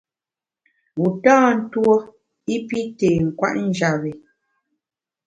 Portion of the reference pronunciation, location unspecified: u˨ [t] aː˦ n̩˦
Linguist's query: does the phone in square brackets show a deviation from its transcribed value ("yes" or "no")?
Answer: no